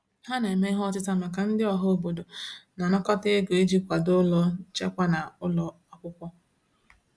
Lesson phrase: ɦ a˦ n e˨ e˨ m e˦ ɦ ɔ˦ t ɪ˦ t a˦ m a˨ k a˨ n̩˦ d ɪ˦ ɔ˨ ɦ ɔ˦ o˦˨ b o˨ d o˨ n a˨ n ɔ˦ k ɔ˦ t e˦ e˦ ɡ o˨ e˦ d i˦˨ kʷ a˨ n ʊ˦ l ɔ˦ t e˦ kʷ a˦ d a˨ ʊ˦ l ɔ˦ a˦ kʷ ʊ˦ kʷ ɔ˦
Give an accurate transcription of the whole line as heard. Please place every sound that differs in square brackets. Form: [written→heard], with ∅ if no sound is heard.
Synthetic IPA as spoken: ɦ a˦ n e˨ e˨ m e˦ ɦ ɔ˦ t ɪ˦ t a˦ m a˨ k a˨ n̩˦ d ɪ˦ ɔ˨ ɦ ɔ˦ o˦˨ b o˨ d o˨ n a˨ n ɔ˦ k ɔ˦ t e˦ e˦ ɡ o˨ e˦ [d→d͡ʒ] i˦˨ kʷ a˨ [n→d] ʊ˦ l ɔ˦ [t→t͡ʃ] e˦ kʷ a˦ [d→n] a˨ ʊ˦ l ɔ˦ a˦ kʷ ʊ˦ kʷ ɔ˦